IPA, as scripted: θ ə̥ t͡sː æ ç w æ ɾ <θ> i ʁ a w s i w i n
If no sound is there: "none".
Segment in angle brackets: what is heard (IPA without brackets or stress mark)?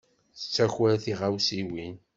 θ